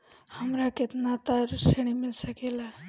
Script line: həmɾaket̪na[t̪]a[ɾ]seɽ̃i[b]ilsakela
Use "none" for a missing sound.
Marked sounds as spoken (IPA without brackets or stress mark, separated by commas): t̪, ɾ, m